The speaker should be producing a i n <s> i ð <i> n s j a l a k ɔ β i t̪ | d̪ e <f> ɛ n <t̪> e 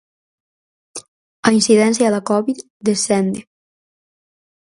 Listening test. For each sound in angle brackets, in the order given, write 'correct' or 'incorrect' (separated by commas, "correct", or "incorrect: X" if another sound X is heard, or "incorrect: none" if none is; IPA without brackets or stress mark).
correct, incorrect: ɛ, incorrect: s, incorrect: d̪